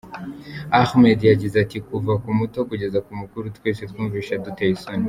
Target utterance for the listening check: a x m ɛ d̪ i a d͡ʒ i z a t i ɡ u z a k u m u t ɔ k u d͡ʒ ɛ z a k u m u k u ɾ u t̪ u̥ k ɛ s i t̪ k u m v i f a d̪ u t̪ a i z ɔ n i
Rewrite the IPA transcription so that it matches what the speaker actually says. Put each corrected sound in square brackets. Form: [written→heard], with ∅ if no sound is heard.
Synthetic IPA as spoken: a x m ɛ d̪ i a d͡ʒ i z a t i [ɡ→k] u [z→v] a k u m u t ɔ k u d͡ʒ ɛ z a k u m u k u ɾ u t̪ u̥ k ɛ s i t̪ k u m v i [f→ʃ] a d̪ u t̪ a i [z→s] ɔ n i